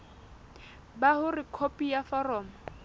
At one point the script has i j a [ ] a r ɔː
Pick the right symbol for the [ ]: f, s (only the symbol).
f